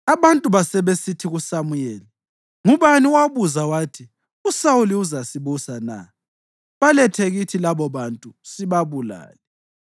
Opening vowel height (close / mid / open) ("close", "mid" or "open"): open